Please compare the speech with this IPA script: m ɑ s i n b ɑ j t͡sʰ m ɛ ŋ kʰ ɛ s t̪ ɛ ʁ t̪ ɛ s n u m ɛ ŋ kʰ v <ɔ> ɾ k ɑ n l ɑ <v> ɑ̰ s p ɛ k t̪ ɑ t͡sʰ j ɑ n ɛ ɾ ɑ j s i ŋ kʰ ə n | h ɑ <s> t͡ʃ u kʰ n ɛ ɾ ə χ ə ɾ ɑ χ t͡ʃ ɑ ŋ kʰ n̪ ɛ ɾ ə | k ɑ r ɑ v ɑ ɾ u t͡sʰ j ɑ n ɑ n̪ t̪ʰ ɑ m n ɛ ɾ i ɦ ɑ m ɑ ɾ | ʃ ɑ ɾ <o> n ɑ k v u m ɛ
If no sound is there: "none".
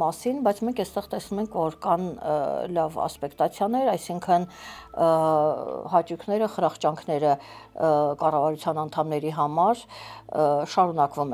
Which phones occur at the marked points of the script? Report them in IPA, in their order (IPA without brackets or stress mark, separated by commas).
ɔ, v, none, u